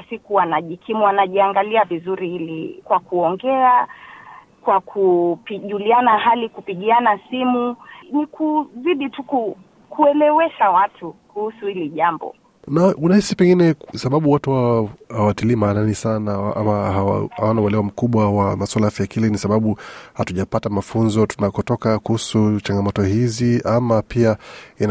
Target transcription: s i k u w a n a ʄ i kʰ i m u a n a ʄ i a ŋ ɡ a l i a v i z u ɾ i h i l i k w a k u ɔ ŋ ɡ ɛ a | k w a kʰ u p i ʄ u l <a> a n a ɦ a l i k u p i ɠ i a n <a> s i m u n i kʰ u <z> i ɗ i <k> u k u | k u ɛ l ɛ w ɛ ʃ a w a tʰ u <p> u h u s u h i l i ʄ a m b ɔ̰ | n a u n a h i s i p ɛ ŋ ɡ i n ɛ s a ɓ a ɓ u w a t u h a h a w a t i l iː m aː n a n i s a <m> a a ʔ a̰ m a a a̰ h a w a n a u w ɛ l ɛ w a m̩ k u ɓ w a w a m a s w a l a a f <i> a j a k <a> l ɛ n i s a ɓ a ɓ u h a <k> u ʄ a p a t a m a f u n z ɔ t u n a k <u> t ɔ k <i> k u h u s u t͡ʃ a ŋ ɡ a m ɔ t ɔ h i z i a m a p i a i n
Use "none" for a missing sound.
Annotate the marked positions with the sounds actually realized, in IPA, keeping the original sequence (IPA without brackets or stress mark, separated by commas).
i, a, z, t, k, n, j, i, t, ɔ, a